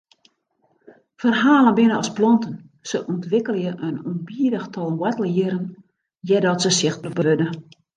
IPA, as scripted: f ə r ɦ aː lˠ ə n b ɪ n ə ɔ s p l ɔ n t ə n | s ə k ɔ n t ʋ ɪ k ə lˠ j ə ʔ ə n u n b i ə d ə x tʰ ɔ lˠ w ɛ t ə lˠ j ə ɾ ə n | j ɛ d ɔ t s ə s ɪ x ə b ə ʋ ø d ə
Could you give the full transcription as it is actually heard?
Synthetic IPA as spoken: f ə r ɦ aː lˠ ə n b ɪ n ə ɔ s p l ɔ n t ə n | s ə ʔ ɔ n t ʋ ɪ k ə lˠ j ə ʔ ə n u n b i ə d ə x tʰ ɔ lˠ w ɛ t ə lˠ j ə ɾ ə n | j ɛ d ɔ t s ə s ɪ x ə b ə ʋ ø d ə